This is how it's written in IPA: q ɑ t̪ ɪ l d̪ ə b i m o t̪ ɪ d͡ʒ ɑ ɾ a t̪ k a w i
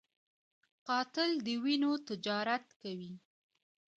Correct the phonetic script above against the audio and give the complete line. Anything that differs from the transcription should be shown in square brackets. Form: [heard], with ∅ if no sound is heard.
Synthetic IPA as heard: q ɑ t̪ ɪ l d̪ ə [w] i [n] o t̪ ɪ d͡ʒ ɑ ɾ a t̪ k a w i